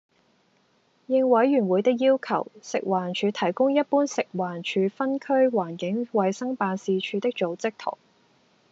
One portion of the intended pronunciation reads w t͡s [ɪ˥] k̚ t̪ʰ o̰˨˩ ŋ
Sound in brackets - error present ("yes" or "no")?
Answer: no